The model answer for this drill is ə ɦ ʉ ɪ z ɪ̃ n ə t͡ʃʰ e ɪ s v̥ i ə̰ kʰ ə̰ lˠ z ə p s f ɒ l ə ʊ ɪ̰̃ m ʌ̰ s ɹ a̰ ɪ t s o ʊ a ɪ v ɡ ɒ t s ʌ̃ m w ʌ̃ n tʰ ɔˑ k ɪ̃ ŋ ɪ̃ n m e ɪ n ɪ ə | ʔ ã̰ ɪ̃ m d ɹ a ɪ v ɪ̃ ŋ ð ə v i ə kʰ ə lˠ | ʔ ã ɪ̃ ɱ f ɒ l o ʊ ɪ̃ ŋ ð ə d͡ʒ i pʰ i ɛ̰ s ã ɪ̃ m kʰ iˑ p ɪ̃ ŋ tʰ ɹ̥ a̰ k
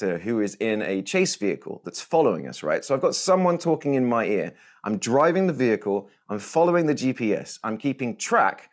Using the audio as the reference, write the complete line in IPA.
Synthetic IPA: ə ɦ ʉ ɪ z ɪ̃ n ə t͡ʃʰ e ɪ s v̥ i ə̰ kʰ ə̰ lˠ ð ə t s f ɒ l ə ʊ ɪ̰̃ ŋ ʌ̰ s ɹ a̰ ɪ t s o ʊ a ɪ v ɡ ɒ t s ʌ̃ m w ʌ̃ n tʰ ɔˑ k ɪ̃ ŋ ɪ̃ n m a ɪ ɪ ə | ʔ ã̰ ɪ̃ m d ɹ a ɪ v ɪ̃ ŋ ð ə v i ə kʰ ə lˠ | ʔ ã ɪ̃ ɱ f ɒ l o ʊ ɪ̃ ŋ ð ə d͡ʒ i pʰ i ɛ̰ s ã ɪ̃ m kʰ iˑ p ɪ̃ ŋ tʰ ɹ̥ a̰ k